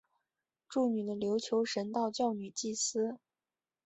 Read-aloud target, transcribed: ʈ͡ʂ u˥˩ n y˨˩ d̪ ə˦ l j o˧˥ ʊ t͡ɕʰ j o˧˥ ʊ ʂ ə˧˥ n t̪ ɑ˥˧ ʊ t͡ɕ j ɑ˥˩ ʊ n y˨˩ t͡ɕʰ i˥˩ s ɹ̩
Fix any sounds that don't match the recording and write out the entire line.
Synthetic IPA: ʈ͡ʂ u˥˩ n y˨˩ d̪ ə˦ l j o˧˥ ʊ t͡ɕʰ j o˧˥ ʊ ʂ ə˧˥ n t̪ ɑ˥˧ ʊ t͡ɕ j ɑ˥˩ ʊ n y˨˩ t͡ɕ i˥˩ s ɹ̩